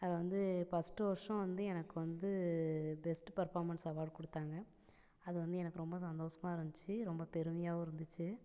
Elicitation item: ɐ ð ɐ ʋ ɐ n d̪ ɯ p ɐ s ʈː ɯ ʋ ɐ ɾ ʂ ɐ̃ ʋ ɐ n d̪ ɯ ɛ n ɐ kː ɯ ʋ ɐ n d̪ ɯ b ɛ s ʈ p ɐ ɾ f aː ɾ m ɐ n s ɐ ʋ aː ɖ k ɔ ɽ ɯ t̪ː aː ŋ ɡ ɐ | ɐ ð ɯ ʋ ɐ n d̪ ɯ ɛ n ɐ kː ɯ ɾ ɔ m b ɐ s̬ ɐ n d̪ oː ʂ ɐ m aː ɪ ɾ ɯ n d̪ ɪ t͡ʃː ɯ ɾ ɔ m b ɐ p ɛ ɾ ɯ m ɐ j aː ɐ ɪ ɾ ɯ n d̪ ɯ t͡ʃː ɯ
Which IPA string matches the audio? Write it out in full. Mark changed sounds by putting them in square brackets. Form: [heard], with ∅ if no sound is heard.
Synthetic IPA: ɐ ð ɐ ʋ ɐ n d̪ ɯ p ɐ s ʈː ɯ ʋ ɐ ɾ ʂ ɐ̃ ʋ ɐ n d̪ ɯ ɛ n ɐ kː ɯ ʋ ɐ n d̪ ɯ b ɛ s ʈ p ɐ ɾ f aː ɾ m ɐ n s ɐ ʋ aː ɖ k ɔ ɽ ɯ t̪ː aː ŋ ɡ ɐ | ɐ ð ɯ ʋ ɐ n d̪ ɯ ɛ n ɐ kː ɯ ɾ ɔ m b ɐ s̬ ɐ n d̪ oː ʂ ɐ m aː ɪ ɾ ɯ n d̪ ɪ t͡ʃː ɯ ɾ ɔ m b ɐ p ɛ ɾ ɯ m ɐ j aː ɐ ɪ ɾ ɯ n d̪ ɯ t͡ʃː ɯ